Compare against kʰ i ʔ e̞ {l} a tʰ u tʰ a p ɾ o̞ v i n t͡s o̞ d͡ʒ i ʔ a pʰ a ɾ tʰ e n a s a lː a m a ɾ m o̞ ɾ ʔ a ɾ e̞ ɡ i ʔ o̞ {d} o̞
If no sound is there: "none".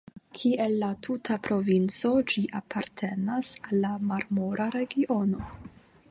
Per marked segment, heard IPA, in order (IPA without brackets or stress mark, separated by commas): lː, n